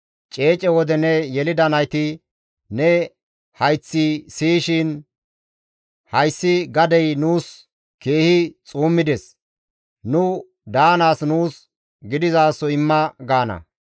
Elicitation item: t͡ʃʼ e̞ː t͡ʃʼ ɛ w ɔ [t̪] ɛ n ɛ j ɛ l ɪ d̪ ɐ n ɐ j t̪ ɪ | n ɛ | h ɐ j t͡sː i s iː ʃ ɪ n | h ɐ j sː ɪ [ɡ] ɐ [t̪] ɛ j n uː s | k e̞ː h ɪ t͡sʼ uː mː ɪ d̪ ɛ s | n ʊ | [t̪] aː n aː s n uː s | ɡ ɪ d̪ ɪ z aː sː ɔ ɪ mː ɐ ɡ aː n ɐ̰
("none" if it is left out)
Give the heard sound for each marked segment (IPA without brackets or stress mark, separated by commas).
d̪, ɡ, d̪, d̪